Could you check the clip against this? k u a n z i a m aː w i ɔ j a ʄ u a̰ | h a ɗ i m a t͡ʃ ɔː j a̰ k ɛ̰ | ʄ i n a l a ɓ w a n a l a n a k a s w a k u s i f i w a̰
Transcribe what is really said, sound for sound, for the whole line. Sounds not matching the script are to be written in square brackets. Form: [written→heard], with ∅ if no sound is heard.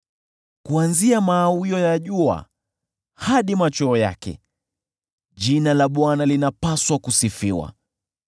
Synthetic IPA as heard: k u a n z i a m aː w i ɔ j a ʄ u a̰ | h a ɗ i m a t͡ʃ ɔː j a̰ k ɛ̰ | ʄ i n a l a ɓ w a n a l [a→i] n a [k→p] a s w a k u s i f i w a̰